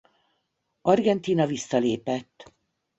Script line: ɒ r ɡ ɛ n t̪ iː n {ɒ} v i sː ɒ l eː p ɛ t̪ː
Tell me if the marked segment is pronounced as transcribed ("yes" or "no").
yes